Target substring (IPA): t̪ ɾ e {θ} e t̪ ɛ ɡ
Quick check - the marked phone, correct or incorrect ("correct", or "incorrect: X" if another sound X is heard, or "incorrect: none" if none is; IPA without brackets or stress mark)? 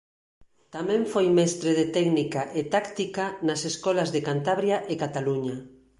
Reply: incorrect: ð